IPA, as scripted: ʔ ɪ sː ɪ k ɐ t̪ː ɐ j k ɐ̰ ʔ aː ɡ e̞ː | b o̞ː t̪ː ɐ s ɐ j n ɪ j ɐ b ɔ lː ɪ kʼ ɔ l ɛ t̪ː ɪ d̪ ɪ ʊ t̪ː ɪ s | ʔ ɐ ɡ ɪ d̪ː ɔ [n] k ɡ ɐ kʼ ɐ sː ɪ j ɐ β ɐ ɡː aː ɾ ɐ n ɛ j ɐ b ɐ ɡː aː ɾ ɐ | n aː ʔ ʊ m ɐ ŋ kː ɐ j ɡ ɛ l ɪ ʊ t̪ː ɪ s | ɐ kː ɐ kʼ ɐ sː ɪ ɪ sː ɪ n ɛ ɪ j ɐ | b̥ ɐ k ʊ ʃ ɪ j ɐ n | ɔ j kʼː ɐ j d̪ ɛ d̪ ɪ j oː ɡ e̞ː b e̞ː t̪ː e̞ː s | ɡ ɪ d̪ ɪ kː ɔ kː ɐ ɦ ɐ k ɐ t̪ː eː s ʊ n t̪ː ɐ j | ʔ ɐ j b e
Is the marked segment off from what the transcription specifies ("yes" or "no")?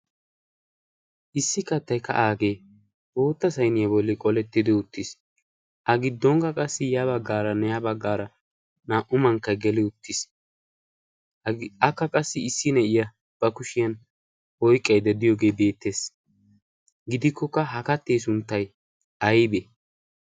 yes